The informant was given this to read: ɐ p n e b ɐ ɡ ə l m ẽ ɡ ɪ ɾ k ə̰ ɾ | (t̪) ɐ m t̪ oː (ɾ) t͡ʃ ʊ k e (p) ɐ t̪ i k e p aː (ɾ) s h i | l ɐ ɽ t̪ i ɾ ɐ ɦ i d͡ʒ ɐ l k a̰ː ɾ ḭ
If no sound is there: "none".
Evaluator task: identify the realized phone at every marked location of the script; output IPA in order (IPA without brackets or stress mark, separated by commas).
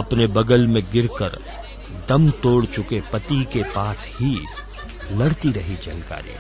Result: d̪, ɽ, p, none